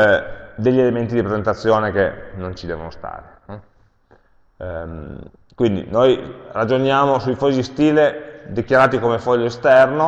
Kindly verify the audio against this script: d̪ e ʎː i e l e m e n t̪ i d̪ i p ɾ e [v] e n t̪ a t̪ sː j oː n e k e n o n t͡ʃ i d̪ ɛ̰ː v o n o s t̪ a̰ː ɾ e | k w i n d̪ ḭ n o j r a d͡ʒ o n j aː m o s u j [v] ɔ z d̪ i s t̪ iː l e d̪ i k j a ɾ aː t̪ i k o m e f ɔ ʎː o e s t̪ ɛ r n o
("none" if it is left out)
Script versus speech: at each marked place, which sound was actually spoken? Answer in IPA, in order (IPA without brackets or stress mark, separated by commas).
z, f